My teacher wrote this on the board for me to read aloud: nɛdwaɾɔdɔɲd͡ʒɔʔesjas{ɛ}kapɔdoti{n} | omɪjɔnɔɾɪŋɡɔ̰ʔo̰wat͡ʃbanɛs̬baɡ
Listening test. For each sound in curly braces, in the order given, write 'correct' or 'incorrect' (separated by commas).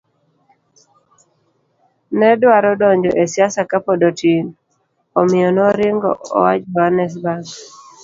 incorrect, correct